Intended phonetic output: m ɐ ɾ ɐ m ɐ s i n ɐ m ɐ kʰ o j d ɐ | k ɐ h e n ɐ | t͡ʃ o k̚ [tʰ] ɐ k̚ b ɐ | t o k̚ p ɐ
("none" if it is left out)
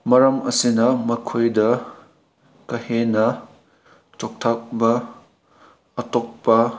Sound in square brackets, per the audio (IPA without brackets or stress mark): tʰ